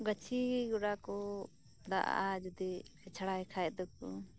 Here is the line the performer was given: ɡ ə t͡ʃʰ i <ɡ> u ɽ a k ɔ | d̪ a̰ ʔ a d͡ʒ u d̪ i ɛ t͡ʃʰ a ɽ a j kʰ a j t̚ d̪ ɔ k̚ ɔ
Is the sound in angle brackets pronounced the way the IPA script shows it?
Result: yes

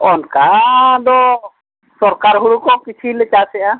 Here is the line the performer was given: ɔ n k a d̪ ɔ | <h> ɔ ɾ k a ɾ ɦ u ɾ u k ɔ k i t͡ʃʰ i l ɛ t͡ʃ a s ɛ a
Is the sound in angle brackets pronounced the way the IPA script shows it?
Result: no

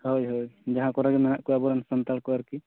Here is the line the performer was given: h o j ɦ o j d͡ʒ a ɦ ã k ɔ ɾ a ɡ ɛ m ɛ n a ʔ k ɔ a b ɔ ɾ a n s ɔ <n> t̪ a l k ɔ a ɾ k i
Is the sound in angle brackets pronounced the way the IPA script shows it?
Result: yes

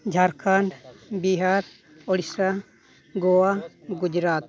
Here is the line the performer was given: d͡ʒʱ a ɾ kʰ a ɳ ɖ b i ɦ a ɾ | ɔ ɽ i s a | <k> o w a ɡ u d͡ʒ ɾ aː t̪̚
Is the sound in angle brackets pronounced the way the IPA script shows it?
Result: no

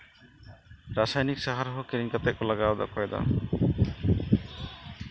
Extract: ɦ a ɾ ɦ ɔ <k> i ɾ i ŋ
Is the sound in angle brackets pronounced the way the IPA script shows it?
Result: yes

